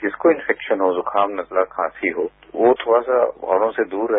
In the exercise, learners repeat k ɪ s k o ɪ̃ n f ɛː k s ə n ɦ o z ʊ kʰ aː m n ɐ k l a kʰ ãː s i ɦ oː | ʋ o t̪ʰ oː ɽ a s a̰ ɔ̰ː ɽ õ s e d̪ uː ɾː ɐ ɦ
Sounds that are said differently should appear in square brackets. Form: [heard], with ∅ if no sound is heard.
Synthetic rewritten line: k ɪ s k o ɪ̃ n f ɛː k [ʃ] ə n ɦ o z ʊ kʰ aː m n ɐ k l a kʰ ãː s i ɦ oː | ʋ o t̪ʰ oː ɽ a s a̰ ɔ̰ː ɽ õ s e d̪ uː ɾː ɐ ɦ

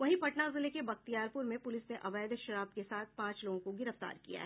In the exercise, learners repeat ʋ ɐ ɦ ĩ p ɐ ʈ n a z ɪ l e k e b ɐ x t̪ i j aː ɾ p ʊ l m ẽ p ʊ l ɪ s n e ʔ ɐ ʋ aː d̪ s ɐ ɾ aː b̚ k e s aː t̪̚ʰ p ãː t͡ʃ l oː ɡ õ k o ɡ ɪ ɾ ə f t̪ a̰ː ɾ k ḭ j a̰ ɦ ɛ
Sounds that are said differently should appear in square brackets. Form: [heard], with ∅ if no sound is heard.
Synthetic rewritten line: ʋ ɐ ɦ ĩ p ɐ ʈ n a z ɪ l e k e b ɐ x t̪ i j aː ɾ p ʊ [ɾ] m ẽ p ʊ l ɪ s n e ʔ ɐ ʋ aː d̪ [ʃ] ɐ ɾ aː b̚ k e s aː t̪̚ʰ p ãː t͡ʃ l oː ɡ õ k o ɡ ɪ ɾ ə f t̪ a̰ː ɾ k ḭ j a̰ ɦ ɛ

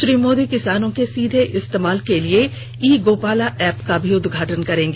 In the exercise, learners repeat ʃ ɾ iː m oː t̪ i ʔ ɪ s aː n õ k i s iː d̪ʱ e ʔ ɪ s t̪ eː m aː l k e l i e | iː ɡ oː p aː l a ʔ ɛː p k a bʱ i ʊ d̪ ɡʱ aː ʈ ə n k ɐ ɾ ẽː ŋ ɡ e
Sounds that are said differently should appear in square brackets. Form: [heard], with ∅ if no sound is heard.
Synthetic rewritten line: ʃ ɾ iː m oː [d̪] i [k] ɪ s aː n õ k [e] s iː d̪ʱ e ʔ ɪ s t̪ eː m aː l k e l i e | iː ɡ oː p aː l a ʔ ɛː p k a bʱ i ʊ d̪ ɡʱ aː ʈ ə n k ɐ ɾ ẽː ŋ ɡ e

